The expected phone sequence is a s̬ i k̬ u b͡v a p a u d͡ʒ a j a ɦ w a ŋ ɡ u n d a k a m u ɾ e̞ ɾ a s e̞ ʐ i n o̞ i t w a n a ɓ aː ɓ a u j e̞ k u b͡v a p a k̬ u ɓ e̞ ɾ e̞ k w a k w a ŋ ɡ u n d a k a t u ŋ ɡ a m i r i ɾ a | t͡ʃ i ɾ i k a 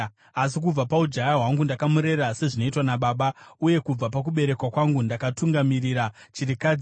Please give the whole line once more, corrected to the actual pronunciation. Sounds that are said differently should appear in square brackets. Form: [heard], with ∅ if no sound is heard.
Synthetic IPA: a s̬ i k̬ u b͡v a p a u d͡ʒ a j a ɦ w a ŋ ɡ u n d a k a m u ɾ e̞ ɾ a s e̞ ʐ i n o̞ i t w a n a ɓ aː ɓ a u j e̞ k u b͡v a p a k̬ u ɓ e̞ ɾ e̞ k w a k w a ŋ ɡ u n d a k a t u ŋ ɡ a m i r i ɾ a | t͡ʃ i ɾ i k a